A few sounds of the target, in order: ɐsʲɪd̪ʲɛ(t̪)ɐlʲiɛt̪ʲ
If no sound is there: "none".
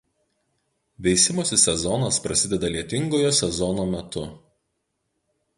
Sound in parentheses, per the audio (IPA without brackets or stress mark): d̪